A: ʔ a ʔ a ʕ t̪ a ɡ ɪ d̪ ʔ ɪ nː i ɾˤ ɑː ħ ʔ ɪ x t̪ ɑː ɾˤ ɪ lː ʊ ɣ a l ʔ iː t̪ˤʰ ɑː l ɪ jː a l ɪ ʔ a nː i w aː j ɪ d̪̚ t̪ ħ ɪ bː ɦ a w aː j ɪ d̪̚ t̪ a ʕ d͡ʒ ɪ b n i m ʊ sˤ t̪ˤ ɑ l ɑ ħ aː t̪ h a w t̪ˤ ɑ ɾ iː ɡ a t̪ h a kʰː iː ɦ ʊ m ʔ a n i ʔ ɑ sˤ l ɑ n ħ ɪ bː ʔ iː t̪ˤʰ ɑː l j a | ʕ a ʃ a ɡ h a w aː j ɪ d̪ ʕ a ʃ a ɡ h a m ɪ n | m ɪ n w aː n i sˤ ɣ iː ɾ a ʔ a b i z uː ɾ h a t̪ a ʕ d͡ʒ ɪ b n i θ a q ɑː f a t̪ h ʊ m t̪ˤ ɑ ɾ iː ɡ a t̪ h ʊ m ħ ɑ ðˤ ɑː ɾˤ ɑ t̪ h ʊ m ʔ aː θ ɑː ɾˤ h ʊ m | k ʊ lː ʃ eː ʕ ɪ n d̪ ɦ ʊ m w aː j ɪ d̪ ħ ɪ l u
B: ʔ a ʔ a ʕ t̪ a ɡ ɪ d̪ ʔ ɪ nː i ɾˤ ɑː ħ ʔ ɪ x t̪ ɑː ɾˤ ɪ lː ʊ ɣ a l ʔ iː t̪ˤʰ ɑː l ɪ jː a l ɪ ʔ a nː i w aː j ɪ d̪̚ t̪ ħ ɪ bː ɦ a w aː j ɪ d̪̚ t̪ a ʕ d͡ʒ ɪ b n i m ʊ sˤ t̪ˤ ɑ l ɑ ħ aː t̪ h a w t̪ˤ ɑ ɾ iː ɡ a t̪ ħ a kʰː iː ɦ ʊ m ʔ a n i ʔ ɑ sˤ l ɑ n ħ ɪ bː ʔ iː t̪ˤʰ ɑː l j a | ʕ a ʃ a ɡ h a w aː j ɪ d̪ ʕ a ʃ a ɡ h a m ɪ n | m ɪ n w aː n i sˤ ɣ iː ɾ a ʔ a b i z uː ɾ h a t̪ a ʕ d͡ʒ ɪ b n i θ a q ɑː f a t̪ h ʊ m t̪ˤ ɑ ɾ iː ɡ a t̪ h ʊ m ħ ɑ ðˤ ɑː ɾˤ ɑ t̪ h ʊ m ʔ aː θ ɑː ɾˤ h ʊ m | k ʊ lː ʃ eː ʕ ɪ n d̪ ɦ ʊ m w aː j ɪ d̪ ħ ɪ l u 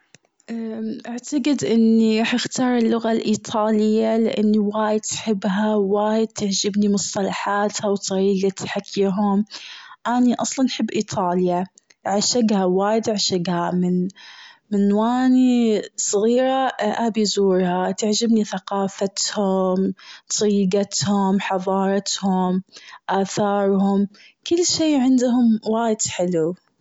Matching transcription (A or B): B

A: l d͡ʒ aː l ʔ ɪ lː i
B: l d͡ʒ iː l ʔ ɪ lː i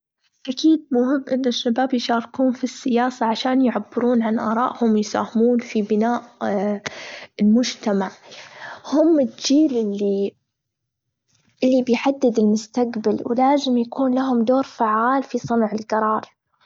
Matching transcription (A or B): B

